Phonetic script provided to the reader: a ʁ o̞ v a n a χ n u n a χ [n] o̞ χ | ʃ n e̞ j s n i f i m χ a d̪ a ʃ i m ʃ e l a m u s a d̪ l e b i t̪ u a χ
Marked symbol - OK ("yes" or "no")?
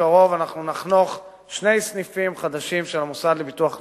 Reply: yes